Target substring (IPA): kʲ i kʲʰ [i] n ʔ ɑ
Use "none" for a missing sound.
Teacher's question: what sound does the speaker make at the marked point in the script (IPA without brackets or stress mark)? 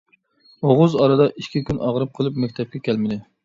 y